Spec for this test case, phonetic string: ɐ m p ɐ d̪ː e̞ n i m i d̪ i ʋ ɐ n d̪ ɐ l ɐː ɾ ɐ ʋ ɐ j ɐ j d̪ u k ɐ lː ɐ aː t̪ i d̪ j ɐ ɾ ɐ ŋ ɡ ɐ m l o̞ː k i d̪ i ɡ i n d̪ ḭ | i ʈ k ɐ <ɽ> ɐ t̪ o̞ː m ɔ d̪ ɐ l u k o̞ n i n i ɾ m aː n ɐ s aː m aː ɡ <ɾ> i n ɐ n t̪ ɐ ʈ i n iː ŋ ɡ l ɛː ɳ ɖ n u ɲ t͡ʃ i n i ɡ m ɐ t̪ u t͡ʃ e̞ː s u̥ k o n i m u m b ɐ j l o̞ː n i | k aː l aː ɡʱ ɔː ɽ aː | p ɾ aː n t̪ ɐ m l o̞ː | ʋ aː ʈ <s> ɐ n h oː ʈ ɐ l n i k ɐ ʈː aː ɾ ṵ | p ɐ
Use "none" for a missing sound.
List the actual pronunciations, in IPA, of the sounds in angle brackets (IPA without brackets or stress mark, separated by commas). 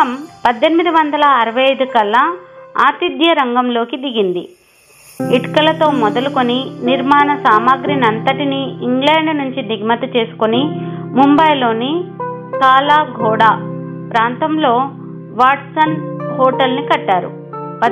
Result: l, ɾ, s